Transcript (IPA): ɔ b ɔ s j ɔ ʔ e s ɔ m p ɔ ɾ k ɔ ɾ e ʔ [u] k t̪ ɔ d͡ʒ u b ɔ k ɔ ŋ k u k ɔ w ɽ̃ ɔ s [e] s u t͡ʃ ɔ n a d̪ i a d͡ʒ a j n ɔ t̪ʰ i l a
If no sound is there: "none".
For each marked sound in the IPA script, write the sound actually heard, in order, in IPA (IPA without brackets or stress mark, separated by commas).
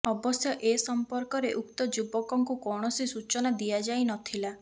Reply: u, i